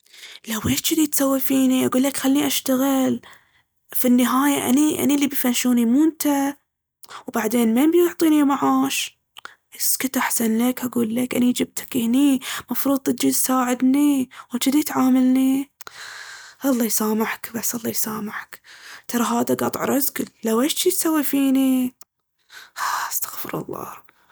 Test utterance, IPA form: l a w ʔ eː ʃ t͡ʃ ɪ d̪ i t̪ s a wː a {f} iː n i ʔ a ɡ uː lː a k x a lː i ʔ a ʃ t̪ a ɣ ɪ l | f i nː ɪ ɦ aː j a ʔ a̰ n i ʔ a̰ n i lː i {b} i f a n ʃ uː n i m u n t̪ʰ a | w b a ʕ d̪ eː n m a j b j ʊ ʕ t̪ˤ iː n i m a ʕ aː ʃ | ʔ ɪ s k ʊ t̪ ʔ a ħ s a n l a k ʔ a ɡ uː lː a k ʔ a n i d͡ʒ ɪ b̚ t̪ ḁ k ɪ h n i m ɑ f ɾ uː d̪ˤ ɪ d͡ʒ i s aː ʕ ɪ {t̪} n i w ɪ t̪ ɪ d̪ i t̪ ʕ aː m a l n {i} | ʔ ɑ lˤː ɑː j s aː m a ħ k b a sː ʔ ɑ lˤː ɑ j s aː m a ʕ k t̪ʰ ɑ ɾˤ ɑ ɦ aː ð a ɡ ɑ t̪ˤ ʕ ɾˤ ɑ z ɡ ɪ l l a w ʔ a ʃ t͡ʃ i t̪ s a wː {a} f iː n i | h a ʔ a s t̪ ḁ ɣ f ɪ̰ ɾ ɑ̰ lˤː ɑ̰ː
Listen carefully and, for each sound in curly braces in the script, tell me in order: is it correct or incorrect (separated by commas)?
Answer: correct, correct, incorrect, correct, incorrect